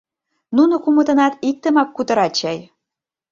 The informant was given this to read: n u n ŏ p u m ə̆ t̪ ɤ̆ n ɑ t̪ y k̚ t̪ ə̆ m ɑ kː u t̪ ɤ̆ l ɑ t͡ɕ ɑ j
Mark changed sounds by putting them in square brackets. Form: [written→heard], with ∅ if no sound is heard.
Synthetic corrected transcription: n u n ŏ [p→k] u m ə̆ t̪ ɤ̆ n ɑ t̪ [y→i] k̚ t̪ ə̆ m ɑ kː u t̪ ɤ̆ [l→ɾ] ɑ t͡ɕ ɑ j